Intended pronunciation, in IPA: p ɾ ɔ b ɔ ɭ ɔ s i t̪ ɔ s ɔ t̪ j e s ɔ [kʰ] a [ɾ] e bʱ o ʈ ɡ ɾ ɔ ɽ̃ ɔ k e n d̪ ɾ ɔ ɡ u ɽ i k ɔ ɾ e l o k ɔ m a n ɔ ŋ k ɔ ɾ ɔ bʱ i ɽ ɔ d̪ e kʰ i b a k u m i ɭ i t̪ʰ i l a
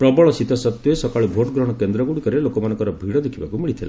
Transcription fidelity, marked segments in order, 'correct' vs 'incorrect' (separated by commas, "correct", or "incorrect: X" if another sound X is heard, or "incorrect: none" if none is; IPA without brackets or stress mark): incorrect: k, incorrect: ɭ